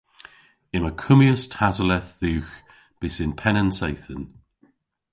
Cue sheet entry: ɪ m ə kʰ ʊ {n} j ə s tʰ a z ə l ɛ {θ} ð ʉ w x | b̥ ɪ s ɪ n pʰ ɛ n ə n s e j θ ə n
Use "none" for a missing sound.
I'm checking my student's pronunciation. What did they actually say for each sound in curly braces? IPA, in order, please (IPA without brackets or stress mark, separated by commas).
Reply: m, θ